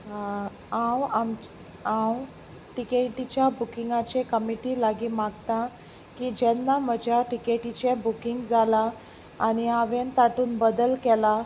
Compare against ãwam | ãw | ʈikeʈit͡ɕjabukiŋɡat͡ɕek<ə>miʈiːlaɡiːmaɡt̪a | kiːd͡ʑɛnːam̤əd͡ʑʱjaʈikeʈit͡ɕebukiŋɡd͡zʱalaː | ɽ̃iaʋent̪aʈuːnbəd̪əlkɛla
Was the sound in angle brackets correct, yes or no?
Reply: yes